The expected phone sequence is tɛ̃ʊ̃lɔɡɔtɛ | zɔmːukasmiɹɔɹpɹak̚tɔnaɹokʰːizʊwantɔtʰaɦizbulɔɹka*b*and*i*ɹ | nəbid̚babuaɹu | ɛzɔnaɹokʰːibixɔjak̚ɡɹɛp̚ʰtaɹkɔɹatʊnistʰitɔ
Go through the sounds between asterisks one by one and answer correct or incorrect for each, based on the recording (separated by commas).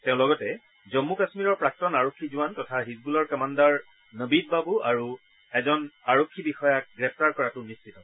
incorrect, incorrect